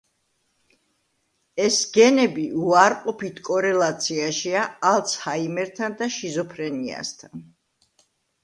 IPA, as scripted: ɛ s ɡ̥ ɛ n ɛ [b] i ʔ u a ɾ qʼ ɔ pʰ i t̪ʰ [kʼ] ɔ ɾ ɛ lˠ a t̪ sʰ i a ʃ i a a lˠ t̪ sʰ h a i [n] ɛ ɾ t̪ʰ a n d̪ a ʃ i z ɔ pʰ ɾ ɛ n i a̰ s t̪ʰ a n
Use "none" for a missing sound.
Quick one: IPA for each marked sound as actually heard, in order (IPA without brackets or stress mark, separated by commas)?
b, kʼ, m